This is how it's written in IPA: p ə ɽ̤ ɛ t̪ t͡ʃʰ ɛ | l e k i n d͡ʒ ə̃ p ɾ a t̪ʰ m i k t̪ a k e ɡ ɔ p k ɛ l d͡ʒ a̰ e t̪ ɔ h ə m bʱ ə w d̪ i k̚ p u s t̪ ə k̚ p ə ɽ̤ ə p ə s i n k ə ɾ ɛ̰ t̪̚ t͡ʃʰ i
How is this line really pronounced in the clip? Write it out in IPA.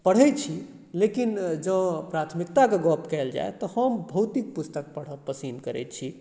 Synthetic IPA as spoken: p ə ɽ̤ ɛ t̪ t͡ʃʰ i | l e k i n d͡ʒ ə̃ p ɾ a t̪ʰ m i k t̪ a k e ɡ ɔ p k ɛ l d͡ʒ a̰ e t̪ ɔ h ə m bʱ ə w t̪ i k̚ p u s t̪ ə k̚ p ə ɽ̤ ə p ə s i n k ə ɾ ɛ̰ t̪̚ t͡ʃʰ i